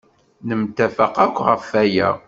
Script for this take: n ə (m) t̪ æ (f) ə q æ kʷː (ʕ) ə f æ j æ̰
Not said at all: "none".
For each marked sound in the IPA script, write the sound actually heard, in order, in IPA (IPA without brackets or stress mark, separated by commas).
m, f, ʁ